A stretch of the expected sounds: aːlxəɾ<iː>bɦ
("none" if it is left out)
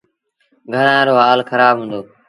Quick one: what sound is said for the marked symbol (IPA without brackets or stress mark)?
aː